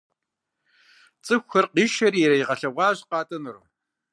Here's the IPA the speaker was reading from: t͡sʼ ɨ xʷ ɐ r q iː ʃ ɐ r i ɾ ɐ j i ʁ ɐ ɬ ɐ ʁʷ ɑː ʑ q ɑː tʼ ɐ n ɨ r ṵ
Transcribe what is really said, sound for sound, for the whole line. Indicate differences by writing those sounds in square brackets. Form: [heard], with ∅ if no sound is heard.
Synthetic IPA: t͡sʼ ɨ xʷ ɐ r q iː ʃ ɐ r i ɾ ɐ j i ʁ ɐ ɬ ɐ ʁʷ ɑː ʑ q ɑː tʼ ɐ n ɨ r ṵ